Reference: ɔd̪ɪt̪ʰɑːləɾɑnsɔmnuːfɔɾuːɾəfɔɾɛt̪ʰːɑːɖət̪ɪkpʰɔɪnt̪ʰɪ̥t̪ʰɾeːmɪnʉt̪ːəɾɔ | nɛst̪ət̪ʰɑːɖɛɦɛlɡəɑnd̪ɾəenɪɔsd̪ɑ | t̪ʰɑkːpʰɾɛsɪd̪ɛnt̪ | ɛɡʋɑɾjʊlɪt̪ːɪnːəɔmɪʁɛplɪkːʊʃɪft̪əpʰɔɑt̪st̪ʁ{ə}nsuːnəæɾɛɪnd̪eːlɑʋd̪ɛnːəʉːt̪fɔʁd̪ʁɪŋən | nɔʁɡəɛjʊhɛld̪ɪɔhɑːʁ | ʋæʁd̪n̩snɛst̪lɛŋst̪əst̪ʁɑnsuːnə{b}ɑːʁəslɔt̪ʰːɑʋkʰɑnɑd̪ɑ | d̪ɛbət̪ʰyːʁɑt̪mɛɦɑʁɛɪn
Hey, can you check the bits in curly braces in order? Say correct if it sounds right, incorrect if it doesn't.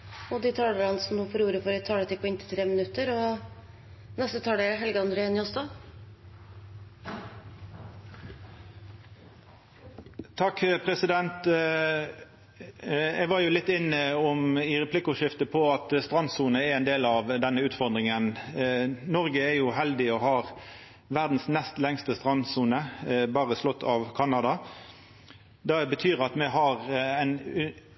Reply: incorrect, correct

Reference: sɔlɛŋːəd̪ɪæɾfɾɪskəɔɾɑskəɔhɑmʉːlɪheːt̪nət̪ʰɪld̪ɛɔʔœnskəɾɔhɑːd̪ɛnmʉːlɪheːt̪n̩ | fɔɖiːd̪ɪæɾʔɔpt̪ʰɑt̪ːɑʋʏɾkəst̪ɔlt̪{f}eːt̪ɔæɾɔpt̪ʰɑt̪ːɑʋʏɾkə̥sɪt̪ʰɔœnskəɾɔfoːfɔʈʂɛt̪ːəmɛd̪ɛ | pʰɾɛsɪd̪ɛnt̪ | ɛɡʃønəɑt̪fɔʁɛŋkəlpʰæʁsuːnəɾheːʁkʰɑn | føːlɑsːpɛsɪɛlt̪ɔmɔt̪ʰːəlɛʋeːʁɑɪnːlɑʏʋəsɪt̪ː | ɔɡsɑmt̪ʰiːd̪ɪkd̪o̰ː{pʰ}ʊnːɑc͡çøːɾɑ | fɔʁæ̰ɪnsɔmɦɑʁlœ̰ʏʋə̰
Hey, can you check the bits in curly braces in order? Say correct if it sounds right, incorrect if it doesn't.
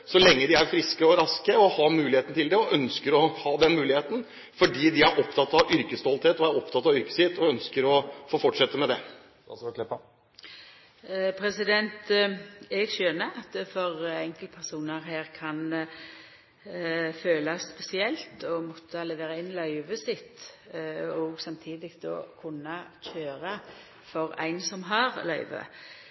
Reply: incorrect, incorrect

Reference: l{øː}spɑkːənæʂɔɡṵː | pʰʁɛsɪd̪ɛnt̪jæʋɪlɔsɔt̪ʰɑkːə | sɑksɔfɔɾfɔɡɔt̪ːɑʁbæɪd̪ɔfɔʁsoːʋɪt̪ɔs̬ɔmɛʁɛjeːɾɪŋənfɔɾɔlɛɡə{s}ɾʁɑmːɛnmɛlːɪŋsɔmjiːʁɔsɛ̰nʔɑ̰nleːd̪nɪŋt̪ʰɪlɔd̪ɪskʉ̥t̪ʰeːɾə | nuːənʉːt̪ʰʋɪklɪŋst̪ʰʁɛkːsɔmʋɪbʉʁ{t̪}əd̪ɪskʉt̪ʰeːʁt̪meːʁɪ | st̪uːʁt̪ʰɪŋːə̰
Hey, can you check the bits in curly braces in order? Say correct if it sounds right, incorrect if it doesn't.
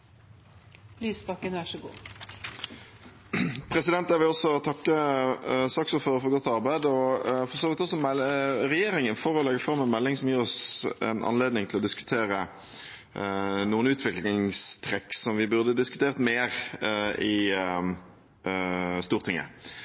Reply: incorrect, incorrect, incorrect

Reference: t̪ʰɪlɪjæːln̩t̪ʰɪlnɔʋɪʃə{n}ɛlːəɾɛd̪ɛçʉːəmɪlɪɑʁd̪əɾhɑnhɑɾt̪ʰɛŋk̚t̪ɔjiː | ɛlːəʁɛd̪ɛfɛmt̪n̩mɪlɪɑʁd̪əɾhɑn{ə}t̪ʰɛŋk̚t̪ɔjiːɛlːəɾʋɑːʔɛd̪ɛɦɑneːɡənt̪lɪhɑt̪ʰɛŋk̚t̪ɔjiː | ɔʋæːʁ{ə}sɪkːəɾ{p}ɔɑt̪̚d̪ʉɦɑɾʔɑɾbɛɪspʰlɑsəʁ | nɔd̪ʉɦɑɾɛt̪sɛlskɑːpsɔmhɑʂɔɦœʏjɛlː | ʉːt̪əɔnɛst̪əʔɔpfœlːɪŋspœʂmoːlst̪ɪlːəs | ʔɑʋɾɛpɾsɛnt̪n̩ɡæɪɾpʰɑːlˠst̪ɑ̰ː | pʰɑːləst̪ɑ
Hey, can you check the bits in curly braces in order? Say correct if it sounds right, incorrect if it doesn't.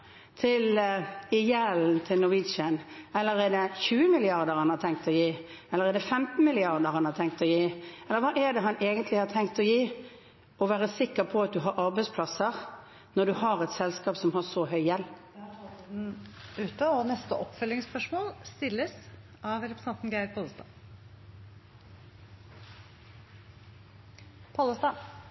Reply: correct, incorrect, correct, incorrect

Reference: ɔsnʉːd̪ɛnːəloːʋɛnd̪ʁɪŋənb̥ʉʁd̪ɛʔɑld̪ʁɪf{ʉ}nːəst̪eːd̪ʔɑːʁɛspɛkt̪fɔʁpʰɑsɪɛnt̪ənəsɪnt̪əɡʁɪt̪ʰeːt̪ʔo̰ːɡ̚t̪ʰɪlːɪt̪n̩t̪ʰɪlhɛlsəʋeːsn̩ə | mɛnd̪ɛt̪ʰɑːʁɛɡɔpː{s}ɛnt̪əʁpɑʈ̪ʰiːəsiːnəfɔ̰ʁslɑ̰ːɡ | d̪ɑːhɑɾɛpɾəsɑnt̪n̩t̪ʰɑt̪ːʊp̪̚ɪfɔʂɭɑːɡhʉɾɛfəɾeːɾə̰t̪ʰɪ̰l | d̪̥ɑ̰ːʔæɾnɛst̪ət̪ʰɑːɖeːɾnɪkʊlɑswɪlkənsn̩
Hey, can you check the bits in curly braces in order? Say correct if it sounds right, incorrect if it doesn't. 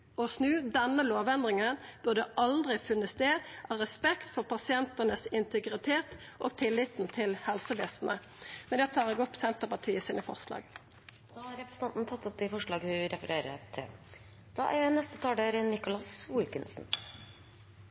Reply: correct, correct

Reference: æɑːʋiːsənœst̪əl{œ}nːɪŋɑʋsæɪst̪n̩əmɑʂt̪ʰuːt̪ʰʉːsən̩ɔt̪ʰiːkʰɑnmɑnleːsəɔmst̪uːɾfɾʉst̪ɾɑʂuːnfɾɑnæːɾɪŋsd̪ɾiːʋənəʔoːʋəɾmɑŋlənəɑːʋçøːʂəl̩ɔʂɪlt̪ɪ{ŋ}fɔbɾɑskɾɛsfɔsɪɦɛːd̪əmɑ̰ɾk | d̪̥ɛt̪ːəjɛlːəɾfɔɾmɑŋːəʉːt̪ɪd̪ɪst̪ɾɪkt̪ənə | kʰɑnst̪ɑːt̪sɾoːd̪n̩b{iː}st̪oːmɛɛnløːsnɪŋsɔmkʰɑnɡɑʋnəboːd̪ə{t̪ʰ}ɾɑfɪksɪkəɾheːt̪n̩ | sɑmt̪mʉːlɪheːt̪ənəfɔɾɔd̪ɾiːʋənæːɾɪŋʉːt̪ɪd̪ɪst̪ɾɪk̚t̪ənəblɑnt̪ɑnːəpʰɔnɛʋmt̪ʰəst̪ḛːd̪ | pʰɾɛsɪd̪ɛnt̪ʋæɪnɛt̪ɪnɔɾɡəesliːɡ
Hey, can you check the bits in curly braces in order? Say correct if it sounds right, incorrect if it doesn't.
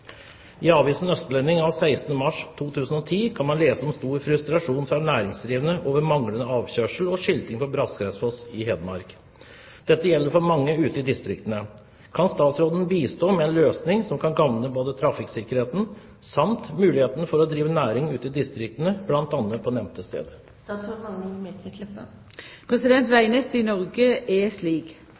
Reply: incorrect, correct, correct, correct

